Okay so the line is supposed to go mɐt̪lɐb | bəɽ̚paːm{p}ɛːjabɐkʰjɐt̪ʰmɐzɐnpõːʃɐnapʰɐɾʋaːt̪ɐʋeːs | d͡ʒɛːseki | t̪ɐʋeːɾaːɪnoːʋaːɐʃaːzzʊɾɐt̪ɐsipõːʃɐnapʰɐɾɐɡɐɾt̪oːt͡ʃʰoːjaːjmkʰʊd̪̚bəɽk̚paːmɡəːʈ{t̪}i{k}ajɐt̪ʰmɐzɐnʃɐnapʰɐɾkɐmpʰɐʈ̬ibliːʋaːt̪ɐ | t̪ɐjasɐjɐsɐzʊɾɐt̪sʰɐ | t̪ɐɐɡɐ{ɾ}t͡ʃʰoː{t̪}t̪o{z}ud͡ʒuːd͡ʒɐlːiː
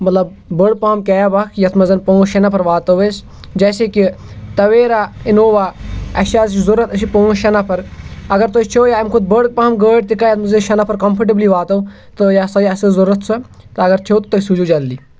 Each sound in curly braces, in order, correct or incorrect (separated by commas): incorrect, correct, correct, correct, correct, incorrect